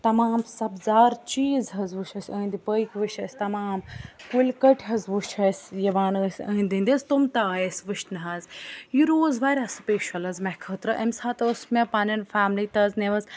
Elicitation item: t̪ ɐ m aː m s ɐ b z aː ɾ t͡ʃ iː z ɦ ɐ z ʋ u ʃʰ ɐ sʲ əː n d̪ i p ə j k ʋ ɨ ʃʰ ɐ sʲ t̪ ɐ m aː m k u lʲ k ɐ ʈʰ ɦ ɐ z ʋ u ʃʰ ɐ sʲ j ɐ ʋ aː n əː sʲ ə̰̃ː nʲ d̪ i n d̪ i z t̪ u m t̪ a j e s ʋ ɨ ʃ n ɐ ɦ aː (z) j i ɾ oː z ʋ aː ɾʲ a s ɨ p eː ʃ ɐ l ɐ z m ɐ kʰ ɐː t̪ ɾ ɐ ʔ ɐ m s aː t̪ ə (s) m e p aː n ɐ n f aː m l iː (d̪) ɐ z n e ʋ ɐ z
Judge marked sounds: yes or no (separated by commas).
yes, yes, no